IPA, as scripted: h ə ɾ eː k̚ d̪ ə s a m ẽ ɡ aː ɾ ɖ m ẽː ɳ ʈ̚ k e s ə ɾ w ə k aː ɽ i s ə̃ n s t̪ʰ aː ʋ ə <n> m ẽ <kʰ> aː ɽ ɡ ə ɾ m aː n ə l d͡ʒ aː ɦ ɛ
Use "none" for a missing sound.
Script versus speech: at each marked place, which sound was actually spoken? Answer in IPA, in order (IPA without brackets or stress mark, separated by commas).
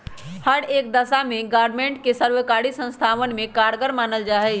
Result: n, k